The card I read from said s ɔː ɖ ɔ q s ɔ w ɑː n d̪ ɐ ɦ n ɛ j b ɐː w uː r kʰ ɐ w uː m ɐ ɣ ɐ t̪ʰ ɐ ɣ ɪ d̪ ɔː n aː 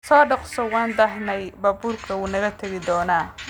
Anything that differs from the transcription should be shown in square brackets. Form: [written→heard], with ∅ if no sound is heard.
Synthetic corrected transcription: s ɔː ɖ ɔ q s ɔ w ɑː n d̪ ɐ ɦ n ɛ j b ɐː [w→b] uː r kʰ ɐ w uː [m→n] ɐ ɣ ɐ t̪ʰ ɐ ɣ ɪ d̪ ɔː n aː